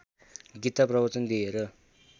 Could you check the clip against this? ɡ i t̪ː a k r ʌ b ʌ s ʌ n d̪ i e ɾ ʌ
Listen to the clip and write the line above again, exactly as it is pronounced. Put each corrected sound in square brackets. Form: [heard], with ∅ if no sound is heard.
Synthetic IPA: ɡ i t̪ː a [p] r ʌ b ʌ [t͡s] ʌ n d̪ i e ɾ ʌ